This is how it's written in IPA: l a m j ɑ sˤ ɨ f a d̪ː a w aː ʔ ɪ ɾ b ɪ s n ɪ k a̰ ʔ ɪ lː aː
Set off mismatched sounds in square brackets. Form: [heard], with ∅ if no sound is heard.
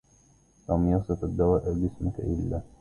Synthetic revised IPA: l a m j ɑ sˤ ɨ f a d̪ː a w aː ʔ ɪ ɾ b ɪ s [m] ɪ k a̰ ʔ ɪ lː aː